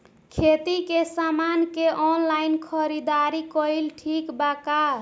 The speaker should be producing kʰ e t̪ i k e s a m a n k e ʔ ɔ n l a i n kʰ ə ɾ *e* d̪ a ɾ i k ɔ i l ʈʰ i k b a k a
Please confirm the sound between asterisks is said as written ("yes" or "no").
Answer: no